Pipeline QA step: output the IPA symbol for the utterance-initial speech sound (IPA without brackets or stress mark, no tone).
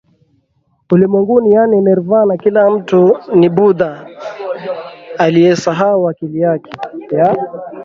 u